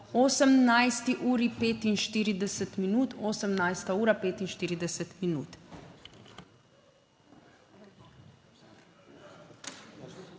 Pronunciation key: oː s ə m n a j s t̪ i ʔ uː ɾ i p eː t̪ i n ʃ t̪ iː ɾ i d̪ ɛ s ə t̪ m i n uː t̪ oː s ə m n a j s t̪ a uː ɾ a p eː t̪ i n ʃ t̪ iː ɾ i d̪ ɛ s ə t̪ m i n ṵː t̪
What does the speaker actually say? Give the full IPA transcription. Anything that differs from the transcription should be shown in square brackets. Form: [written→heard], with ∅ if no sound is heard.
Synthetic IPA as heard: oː s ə m n a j s t̪ i ʔ uː ɾ i p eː t̪ i n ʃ t̪ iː ɾ i d̪ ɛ s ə t̪ m i n uː t̪ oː s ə m n a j s t̪ a uː ɾ a p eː t̪ i n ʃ t̪ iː ɾ i d̪ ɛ s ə t̪ m i n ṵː t̪